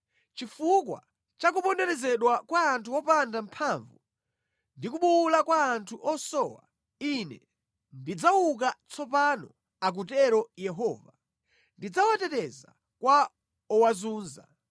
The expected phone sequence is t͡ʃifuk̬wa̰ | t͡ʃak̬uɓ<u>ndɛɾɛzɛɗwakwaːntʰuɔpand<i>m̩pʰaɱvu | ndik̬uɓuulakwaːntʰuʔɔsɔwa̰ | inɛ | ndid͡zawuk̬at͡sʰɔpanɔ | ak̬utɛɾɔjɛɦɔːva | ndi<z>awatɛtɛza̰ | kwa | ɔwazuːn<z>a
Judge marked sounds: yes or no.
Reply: no, no, no, yes

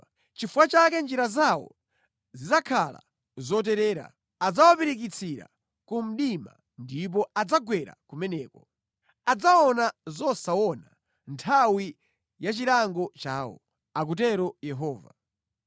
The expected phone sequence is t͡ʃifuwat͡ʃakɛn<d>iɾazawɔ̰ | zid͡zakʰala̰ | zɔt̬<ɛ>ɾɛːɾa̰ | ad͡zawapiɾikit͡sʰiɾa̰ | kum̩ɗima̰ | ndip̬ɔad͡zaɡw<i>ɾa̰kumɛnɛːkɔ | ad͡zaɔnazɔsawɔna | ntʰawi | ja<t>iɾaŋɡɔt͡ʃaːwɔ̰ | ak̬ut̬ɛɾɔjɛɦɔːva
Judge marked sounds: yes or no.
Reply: no, yes, no, no

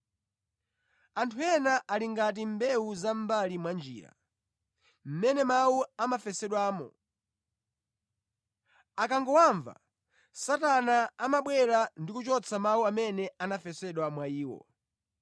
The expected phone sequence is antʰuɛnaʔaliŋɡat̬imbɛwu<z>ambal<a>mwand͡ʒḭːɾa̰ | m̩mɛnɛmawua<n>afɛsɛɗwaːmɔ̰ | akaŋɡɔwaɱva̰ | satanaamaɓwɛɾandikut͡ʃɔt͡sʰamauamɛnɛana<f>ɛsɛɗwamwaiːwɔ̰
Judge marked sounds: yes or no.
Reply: yes, no, no, yes

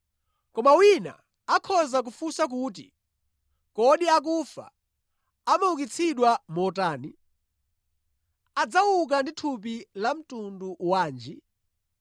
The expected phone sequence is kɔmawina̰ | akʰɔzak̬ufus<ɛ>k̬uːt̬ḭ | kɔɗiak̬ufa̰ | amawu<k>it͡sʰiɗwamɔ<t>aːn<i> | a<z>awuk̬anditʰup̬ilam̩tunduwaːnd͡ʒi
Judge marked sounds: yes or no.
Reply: no, yes, yes, yes, no

